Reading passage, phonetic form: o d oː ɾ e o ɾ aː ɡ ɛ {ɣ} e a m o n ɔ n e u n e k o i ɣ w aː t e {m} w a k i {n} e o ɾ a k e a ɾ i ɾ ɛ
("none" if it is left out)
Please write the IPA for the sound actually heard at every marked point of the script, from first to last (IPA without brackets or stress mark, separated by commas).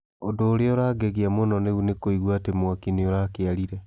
ɣ, m, n